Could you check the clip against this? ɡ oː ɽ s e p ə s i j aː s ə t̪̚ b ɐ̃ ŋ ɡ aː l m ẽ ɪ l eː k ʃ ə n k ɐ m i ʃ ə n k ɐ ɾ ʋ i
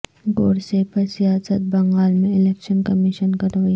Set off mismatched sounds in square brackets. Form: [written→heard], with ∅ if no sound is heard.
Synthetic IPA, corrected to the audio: ɡ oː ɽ s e p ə s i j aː s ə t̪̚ b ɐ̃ ŋ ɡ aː l m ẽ ɪ l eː k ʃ ə n k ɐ m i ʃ ə n k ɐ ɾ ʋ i